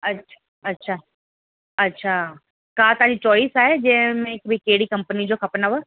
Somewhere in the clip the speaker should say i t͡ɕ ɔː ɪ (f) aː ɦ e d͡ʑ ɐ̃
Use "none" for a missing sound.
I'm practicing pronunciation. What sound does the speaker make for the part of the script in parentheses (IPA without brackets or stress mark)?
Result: s